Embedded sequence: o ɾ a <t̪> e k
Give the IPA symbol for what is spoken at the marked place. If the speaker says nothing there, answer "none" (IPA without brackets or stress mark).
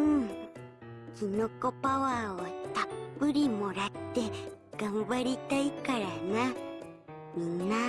t̪